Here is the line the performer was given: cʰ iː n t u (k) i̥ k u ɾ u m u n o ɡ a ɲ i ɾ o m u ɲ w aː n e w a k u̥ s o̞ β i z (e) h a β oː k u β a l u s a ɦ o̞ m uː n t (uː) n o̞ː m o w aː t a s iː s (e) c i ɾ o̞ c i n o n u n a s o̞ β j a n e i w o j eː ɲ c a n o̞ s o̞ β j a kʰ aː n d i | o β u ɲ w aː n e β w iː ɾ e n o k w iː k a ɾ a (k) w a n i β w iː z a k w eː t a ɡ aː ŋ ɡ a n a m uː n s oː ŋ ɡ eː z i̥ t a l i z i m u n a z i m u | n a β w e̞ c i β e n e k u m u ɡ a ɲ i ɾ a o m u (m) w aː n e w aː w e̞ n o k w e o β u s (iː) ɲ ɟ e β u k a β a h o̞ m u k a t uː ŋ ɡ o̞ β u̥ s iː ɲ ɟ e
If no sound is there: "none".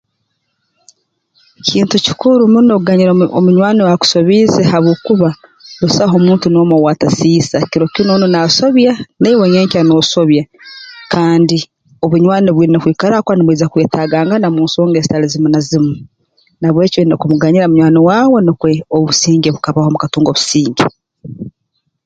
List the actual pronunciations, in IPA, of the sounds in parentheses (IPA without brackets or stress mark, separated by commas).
c, e, u, a, k, ɲ, iː